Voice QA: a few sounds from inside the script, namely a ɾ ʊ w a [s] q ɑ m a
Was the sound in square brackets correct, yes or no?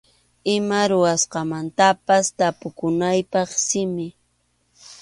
yes